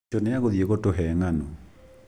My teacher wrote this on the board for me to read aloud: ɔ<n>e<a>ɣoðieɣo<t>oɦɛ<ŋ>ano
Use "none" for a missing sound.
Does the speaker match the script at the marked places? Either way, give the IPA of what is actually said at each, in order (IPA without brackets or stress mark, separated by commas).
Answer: n, a, t, ŋ